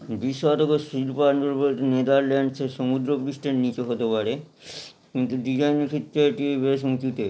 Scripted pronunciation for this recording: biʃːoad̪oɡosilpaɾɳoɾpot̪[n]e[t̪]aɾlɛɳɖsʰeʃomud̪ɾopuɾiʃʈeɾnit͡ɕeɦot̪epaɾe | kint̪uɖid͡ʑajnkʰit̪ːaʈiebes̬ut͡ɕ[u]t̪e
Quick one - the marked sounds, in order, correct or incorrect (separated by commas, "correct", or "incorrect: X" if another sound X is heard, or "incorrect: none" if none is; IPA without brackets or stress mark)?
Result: correct, incorrect: d̪, correct